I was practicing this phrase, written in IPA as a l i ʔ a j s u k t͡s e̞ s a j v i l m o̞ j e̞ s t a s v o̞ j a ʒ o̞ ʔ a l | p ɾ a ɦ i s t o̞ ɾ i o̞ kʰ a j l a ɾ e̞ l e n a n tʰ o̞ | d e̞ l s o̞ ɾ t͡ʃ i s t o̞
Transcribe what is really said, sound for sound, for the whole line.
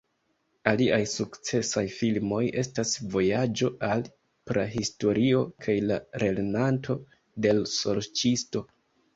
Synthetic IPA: a l i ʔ a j s u k t͡s e̞ s a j f i l m o̞ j e̞ s t a s v o̞ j a d͡ʒ o̞ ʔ a l | p ɾ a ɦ i s t o̞ ɾ i o̞ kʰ a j l a ɾ e̞ l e n a n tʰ o̞ | d e̞ l s o̞ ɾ t͡ʃ i s t o̞